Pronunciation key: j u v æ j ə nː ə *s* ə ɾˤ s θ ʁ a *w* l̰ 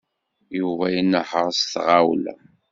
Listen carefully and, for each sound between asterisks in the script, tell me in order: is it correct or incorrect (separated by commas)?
incorrect, correct